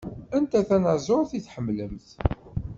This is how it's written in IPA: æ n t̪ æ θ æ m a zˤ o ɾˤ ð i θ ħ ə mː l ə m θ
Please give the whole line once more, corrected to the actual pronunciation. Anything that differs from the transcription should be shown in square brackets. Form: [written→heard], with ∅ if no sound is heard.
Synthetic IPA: æ n t̪ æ θ æ [m→n] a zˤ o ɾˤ [ð→θ] i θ ħ ə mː l ə m θ